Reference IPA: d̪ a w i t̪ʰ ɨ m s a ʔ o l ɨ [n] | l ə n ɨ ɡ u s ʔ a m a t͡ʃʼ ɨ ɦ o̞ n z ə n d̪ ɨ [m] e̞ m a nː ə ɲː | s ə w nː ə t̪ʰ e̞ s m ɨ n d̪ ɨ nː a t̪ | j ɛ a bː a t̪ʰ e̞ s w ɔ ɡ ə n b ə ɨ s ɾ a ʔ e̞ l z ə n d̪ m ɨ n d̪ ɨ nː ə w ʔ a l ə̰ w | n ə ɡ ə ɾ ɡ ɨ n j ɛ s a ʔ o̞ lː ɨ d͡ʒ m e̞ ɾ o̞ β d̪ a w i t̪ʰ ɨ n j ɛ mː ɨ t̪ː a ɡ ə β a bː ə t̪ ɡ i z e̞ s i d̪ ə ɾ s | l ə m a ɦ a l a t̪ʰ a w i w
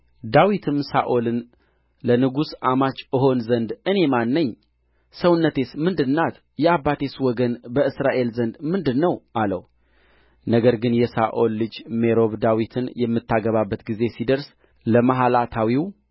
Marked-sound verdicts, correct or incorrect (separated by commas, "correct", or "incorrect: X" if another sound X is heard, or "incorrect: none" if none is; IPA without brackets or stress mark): correct, incorrect: n